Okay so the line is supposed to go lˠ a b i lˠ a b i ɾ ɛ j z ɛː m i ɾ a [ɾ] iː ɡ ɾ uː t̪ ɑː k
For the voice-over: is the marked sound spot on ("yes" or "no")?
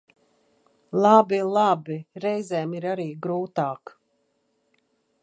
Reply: yes